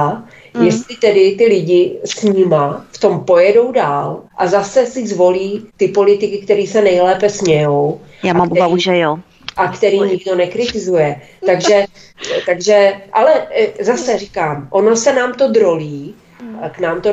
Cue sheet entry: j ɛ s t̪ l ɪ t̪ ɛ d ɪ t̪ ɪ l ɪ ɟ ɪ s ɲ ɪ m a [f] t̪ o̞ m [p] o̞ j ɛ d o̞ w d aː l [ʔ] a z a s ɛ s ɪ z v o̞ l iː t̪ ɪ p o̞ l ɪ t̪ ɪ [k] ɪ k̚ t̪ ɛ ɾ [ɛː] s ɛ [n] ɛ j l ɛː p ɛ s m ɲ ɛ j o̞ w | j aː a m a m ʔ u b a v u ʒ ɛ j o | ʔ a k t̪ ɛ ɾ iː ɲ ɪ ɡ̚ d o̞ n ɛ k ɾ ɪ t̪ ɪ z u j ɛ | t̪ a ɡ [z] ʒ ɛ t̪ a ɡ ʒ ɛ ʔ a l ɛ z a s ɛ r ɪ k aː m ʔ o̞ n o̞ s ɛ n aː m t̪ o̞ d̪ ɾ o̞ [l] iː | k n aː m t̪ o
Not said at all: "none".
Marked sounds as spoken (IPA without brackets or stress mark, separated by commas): f, p, ʔ, k, iː, n, ʒ, l